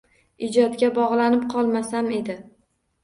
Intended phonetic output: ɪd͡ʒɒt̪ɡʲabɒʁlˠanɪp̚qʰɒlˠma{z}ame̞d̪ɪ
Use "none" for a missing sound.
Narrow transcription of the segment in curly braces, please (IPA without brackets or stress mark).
s